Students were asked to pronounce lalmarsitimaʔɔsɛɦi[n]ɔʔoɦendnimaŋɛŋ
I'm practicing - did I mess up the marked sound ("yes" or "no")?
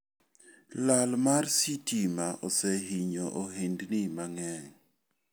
yes